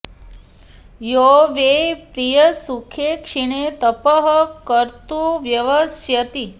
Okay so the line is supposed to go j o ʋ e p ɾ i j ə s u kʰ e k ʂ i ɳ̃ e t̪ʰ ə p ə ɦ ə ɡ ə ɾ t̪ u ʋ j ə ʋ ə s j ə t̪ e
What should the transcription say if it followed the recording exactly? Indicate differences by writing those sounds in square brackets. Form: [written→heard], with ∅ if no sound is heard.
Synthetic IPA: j o ʋ e p ɾ i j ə s u kʰ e k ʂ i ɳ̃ e [t̪ʰ→t̪] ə p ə ɦ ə [ɡ→k] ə ɾ t̪ u ʋ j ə ʋ ə s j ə t̪ [e→i]